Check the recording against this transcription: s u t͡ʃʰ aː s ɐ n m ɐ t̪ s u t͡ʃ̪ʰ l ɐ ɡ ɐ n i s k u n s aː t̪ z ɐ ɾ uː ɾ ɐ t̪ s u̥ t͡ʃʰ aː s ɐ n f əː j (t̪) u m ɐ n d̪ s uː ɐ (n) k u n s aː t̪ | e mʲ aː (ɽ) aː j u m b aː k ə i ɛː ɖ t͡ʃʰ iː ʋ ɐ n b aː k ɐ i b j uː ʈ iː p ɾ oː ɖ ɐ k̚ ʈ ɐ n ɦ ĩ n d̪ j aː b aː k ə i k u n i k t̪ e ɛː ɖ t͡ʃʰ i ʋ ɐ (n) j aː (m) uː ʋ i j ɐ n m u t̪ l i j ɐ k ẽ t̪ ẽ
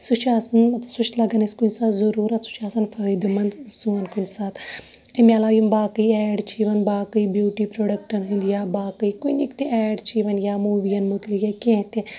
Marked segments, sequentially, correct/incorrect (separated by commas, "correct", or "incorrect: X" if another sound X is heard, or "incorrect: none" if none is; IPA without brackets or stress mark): incorrect: d̪, correct, incorrect: l, correct, correct